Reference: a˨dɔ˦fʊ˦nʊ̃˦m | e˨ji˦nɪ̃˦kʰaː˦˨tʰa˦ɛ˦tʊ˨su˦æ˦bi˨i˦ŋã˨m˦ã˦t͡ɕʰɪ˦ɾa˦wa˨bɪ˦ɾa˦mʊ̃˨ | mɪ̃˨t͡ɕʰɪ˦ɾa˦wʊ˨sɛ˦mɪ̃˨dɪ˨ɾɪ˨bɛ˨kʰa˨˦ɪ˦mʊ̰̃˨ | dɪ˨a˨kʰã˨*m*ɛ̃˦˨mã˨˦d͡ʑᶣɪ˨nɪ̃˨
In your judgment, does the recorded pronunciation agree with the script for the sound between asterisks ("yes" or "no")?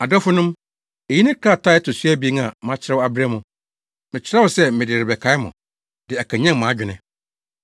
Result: no